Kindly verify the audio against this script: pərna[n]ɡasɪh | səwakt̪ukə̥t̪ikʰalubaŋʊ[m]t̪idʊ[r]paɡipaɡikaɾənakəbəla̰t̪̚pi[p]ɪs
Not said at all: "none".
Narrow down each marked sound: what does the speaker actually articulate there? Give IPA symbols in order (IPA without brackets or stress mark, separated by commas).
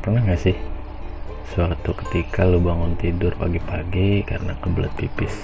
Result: ŋ, n, r, p